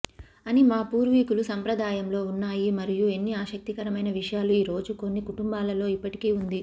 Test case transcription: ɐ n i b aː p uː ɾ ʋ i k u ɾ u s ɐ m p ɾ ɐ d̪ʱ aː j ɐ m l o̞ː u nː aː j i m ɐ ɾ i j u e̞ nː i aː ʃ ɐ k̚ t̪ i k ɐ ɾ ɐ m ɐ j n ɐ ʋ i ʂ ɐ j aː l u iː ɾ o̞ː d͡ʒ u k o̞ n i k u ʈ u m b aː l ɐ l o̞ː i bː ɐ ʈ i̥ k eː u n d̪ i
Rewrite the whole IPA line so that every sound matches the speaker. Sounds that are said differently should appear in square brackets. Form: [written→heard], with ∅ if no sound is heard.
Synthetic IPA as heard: ɐ n i [b→m] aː p uː ɾ ʋ i k u [ɾ→l] u s ɐ m p ɾ ɐ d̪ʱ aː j ɐ m l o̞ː u nː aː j i m ɐ ɾ i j u e̞ nː i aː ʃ ɐ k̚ t̪ i k ɐ ɾ ɐ m ɐ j n ɐ ʋ i ʂ ɐ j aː l u iː ɾ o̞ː d͡ʒ u k o̞ [n→nː] i k u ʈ u m b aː l ɐ l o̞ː i [bː→pː] ɐ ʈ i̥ k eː u n d̪ i